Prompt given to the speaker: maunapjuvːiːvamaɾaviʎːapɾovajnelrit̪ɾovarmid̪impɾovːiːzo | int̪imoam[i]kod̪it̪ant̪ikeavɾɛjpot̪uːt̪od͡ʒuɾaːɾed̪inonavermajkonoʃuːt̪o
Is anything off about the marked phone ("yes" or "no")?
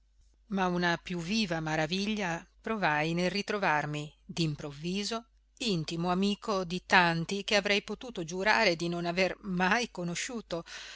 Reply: yes